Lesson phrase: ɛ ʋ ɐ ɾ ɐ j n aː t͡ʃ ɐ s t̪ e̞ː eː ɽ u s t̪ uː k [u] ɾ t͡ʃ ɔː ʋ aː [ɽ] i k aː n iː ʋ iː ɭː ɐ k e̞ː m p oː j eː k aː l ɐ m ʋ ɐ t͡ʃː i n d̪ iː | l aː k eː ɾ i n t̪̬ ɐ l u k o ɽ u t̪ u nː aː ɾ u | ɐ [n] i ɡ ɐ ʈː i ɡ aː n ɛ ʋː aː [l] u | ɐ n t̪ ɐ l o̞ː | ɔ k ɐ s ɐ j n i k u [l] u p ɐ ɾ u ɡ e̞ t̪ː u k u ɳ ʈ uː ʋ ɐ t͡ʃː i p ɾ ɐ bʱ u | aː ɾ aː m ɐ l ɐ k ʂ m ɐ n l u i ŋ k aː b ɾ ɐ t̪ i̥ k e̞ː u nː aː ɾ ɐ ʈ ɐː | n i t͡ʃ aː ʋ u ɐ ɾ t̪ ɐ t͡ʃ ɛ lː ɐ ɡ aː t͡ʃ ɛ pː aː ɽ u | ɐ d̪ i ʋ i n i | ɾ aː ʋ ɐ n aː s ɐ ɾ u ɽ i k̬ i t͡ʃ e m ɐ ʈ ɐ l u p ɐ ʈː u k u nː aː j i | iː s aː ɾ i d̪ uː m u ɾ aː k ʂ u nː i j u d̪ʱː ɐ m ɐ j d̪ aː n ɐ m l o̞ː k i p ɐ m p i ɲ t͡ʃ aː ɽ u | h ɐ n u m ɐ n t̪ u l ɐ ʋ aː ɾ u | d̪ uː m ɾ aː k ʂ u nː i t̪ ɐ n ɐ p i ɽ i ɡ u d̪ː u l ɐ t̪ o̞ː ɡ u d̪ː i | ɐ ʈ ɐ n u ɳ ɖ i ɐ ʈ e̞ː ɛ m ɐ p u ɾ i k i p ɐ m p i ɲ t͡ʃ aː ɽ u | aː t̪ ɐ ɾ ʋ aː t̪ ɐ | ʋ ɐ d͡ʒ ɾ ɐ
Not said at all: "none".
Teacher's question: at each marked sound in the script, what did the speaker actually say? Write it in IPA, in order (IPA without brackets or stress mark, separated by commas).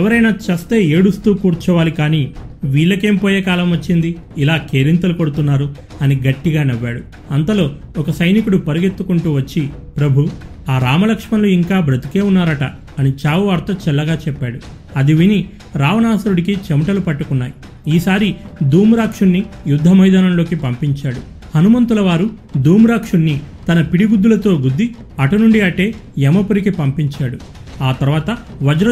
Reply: uː, l, n, ɽ, ɽ